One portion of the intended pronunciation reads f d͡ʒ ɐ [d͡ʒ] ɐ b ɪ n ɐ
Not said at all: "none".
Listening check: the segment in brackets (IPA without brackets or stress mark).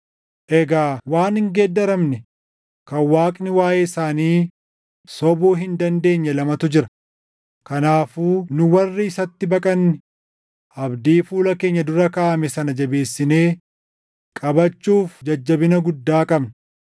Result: d͡ʒː